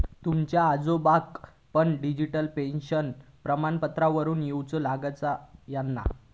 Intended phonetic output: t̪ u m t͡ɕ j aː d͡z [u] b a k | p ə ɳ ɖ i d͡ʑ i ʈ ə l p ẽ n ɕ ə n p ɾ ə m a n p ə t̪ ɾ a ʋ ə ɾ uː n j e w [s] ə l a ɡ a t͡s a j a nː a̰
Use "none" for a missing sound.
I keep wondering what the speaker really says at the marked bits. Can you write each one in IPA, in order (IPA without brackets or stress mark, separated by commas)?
o, t͡s